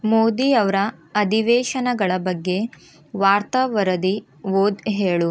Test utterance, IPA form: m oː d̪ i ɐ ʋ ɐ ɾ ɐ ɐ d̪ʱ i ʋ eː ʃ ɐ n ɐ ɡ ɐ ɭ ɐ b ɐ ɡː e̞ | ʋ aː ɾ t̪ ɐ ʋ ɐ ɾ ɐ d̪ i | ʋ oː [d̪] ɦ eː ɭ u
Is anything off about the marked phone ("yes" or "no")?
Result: no